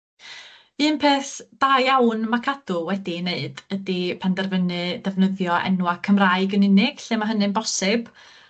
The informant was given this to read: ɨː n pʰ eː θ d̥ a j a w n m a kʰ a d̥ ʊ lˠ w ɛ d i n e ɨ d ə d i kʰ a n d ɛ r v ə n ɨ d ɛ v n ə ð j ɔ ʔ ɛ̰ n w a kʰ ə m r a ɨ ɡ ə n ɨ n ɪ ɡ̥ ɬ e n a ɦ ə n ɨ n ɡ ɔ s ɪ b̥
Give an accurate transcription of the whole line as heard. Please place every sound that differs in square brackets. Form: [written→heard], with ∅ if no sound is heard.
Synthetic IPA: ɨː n pʰ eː θ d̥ a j a w n m a kʰ a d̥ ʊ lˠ w ɛ d i n e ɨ d ə d i [kʰ→pʰ] a n d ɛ r v ə n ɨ d ɛ v n ə ð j ɔ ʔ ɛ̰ n w a kʰ ə m r a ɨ ɡ ə n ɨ n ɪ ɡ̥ ɬ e [n→m] a ɦ ə n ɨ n [ɡ→b] ɔ s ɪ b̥